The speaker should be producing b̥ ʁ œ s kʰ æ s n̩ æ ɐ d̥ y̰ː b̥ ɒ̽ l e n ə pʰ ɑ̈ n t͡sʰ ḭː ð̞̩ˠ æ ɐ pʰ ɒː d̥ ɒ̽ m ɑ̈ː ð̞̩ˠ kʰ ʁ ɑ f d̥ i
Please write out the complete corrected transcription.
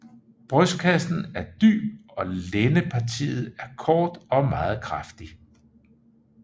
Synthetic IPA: b̥ ʁ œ s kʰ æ s n̩ æ ɐ d̥ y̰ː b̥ ɒ̽ l e n ə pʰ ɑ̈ t͡sʰ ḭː ð̞̩ˠ æ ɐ kʰ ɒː d̥ ɒ̽ m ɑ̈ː ð̞̩ˠ kʰ ʁ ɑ f d̥ i